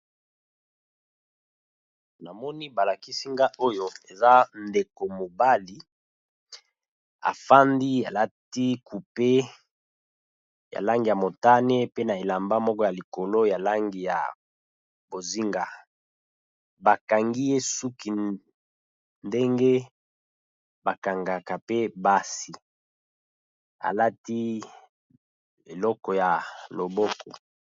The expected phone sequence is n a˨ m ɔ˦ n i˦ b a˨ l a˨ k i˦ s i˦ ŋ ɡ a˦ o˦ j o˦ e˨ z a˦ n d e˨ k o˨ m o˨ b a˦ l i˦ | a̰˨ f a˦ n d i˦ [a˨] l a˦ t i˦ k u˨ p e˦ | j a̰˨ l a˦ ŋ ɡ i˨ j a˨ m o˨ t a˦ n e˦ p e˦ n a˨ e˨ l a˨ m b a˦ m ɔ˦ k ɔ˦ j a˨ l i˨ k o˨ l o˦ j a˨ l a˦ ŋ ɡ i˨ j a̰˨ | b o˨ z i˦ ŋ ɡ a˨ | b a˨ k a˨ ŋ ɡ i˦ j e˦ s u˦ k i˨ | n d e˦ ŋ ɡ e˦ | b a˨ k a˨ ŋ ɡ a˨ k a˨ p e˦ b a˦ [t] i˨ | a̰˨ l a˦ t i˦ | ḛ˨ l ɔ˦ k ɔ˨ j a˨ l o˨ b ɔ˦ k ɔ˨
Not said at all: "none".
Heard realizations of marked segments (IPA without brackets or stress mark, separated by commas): a˨, s